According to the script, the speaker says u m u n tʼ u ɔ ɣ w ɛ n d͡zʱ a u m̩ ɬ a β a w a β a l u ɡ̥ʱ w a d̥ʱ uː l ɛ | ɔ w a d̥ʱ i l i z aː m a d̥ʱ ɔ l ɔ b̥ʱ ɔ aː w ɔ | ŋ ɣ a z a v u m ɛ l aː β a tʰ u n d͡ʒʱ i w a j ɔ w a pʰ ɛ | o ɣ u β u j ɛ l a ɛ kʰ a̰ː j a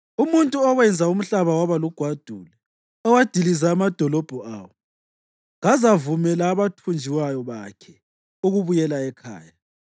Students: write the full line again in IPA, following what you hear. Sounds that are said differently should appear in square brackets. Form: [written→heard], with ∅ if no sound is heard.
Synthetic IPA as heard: u m u n tʼ u ɔ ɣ w ɛ n d͡zʱ a u m̩ ɬ a β a w a β a l u ɡ̥ʱ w a d̥ʱ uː l ɛ | ɔ w a d̥ʱ i l i z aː m a d̥ʱ ɔ l ɔ b̥ʱ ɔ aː w ɔ | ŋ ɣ a z a v u m ɛ l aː β a tʰ u n d͡ʒʱ i w a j ɔ [w→β] a [pʰ→kʰ] ɛ | [o→u] ɣ u β u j ɛ l a ɛ kʰ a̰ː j a

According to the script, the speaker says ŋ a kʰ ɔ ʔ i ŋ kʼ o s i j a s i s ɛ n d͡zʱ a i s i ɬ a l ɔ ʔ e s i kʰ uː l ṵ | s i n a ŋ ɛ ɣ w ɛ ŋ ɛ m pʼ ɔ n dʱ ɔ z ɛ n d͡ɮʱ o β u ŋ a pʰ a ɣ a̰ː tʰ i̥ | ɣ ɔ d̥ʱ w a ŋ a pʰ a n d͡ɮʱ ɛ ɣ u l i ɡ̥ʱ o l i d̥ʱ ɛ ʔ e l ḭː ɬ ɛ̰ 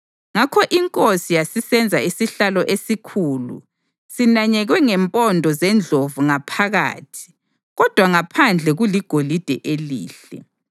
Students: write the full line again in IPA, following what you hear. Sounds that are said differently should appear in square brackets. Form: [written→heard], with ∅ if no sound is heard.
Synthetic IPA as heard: ŋ a kʰ ɔ ʔ i ŋ kʼ o s i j a s i s ɛ n d͡zʱ a i s i ɬ a l ɔ ʔ e s i kʰ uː l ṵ | s i n a [ŋ→ɲ] ɛ ɣ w ɛ ŋ ɛ m pʼ ɔ n dʱ ɔ z ɛ n d͡ɮʱ o [β→v] u ŋ a pʰ a ɣ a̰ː tʰ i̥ | ɣ ɔ d̥ʱ w a ŋ a pʰ a n d͡ɮʱ ɛ ɣ u l i ɡ̥ʱ o l i d̥ʱ ɛ ʔ e l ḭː ɬ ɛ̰

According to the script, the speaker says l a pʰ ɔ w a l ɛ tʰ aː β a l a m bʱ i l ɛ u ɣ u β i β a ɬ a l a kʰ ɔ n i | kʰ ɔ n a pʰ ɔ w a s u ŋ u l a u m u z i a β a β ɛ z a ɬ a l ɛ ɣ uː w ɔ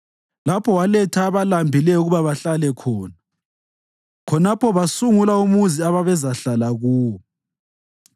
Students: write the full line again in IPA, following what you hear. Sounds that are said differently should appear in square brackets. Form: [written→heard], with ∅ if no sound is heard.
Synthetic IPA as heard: l a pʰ ɔ w a l ɛ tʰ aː β a l a m bʱ i l ɛ u ɣ u β [i→a] β a ɬ a l [a→ɛ] kʰ [ɔ→ɔː] n [i→a] | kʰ ɔ n a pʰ ɔ [w→β] a s u ŋ u l a u m u z i a β a β ɛ z a ɬ a l [ɛ→a] ɣ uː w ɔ

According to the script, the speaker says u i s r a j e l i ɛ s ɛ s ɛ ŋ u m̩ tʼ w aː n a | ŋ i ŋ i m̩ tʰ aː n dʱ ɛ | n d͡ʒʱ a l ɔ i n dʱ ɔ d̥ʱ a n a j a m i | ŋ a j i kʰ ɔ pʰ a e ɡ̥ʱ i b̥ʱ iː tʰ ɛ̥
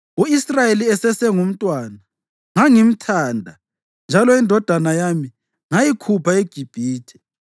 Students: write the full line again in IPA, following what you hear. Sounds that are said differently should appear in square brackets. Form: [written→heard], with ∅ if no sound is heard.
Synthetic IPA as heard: u i s r a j e l i ɛ s ɛ s ɛ ŋ u m̩ tʼ w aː n a | ŋ [i→a] ŋ i m̩ tʰ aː n dʱ [ɛ→a] | n d͡ʒʱ a l ɔ i n dʱ ɔ d̥ʱ a n a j a m i | ŋ a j i kʰ [ɔ→u] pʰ a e ɡ̥ʱ i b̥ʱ iː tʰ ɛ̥

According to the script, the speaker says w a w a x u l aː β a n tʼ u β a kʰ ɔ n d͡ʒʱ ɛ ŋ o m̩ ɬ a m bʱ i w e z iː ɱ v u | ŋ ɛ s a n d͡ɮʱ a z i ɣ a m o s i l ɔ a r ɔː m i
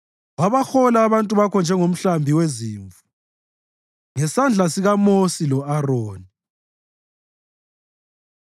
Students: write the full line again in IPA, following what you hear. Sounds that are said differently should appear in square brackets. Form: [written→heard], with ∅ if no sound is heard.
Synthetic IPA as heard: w a [w→β] a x [u→ɔ] l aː β a n tʼ u β a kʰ ɔ n d͡ʒʱ ɛ ŋ o m̩ ɬ a m bʱ i w e z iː ɱ v u | ŋ ɛ s a n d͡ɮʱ a [z→s] i ɣ a m o s i l ɔ a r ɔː [m→n] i

